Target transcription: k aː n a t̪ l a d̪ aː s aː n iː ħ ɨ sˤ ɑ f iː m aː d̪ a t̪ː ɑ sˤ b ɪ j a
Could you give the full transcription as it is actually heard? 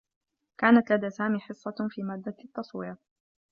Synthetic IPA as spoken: k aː n a t̪ l a d̪ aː s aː m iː ħ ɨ sˤː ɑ f iː m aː d̪ː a t̪ː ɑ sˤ w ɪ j a